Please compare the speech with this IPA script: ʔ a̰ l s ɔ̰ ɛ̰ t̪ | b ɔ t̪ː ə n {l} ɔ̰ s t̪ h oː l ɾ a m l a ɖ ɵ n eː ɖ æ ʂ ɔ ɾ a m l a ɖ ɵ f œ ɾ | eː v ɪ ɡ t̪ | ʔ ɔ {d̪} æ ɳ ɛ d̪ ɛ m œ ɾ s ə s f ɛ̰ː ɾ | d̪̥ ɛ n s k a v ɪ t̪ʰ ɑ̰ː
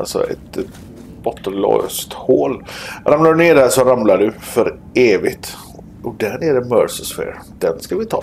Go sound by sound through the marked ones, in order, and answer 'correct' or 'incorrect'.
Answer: correct, correct

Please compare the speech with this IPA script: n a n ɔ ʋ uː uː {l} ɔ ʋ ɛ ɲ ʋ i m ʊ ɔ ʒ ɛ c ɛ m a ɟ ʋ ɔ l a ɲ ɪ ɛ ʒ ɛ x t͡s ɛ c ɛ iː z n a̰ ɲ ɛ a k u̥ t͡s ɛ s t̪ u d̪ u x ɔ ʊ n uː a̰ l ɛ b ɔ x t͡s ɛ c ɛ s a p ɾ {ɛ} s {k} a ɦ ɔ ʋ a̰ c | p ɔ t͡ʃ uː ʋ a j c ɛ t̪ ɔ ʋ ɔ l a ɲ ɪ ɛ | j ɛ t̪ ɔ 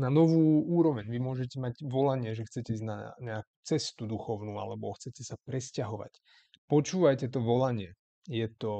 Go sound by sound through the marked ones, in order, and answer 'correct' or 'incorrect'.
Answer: incorrect: ɾ, correct, incorrect: c

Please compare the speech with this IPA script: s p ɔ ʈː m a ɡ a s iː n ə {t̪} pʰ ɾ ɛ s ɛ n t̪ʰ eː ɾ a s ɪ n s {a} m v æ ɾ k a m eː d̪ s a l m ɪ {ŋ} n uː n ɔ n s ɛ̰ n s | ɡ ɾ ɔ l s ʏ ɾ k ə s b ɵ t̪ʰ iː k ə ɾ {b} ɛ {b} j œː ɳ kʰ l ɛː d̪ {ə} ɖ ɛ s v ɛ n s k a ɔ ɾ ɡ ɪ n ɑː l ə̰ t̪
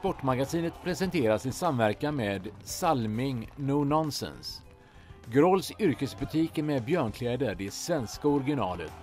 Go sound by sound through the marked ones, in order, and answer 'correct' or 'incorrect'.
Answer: correct, correct, correct, incorrect: m, correct, correct

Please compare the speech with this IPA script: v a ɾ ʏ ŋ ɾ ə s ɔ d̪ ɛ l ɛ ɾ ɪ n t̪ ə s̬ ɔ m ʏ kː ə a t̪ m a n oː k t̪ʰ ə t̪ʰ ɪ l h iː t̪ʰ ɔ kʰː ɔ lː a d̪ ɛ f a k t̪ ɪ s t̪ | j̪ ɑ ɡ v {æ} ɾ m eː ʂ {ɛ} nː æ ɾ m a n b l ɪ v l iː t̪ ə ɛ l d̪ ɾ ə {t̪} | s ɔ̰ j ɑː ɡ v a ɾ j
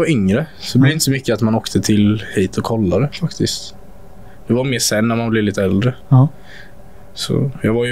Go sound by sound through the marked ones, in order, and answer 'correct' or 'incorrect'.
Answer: incorrect: a, correct, incorrect: none

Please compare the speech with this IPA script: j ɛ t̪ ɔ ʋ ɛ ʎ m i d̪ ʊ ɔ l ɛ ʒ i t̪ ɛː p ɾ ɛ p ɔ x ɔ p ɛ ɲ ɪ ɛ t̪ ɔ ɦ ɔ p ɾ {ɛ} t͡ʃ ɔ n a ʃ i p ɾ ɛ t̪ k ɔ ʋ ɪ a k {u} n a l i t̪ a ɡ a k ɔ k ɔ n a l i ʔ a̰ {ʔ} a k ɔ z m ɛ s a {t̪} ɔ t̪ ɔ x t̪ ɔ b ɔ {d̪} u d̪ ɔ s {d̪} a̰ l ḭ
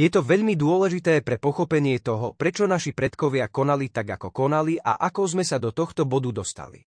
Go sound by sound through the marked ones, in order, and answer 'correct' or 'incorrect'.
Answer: correct, incorrect: ɔ, correct, incorrect: d̪, correct, incorrect: t̪

